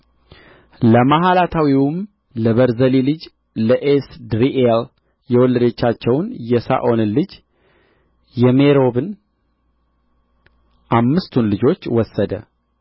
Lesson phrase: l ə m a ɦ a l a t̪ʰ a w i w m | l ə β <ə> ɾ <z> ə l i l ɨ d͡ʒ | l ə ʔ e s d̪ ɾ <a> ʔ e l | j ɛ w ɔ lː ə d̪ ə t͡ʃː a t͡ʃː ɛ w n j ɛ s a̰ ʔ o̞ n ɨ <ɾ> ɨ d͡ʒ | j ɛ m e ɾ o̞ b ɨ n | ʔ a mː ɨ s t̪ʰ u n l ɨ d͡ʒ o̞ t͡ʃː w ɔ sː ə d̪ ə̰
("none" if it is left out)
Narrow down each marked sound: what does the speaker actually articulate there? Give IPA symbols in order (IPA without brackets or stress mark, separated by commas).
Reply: ə, z, i, l